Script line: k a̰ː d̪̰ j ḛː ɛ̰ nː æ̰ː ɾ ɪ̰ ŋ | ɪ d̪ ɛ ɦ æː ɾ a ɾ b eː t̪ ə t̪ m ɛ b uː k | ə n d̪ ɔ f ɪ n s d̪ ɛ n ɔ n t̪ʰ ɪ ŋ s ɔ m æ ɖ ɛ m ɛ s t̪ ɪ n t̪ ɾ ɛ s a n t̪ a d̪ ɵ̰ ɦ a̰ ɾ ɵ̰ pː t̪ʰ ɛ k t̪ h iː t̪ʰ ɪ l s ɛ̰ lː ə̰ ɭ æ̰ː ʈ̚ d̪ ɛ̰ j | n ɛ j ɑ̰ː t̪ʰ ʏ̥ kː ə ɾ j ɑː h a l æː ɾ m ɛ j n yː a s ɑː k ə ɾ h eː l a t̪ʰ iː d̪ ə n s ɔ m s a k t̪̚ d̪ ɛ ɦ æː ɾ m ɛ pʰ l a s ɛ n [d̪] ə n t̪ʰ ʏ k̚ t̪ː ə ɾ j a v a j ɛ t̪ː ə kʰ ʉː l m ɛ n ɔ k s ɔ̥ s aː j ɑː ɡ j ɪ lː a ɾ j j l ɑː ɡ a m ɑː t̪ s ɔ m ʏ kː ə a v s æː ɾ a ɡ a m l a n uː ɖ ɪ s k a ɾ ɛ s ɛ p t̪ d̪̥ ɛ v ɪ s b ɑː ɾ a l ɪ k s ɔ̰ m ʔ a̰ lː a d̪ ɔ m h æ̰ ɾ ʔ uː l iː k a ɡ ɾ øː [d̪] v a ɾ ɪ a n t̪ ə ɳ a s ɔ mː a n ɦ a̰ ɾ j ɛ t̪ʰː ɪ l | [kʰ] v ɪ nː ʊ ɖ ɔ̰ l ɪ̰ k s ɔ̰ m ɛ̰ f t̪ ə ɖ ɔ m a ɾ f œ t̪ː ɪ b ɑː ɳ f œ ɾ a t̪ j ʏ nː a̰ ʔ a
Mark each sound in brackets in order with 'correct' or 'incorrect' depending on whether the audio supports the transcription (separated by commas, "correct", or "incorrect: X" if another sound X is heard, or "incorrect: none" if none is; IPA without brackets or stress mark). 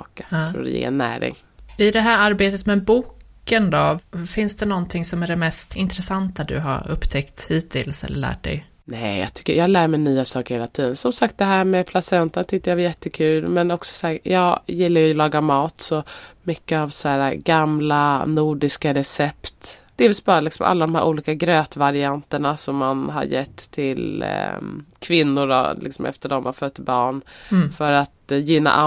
incorrect: t̪, incorrect: t̪, correct